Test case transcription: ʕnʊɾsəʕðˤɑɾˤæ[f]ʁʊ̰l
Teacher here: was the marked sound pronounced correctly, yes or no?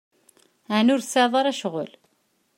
no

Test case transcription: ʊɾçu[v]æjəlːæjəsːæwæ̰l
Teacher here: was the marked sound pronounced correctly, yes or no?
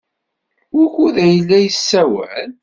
no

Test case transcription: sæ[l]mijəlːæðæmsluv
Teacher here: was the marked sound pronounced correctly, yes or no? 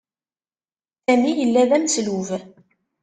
no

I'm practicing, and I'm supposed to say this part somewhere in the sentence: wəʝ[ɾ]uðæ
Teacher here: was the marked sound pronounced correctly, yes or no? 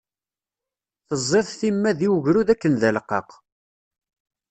yes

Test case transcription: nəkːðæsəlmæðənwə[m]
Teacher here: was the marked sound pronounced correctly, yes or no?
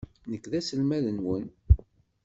no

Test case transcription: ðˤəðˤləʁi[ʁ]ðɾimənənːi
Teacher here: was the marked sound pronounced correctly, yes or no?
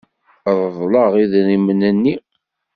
no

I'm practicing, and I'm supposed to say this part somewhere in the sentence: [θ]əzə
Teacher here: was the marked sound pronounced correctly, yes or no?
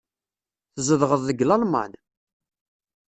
yes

